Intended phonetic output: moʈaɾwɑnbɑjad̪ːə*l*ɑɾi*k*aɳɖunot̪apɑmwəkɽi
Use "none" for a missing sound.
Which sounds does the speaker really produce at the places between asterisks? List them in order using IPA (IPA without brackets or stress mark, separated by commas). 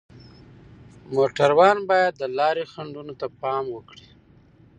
l, x